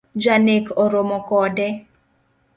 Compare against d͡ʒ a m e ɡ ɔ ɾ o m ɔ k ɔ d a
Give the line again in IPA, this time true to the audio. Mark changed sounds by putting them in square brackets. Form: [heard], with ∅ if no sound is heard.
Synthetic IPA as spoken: d͡ʒ a [n] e [k] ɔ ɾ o m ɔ k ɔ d [ɛ]